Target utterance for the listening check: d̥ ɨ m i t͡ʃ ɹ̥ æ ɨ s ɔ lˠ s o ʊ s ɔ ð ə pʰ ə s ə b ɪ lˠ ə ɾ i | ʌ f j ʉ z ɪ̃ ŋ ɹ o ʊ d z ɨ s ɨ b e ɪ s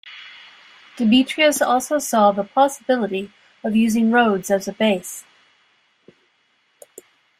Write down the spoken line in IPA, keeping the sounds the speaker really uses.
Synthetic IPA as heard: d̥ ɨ m i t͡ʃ ɹ̥ i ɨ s ɔ lˠ s o ʊ s ɔ ð ə pʰ ɑ s ə b ɪ lˠ ə ɾ i | ʌ v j ʉ z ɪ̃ ŋ ɹ o ʊ d z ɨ z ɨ b e ɪ s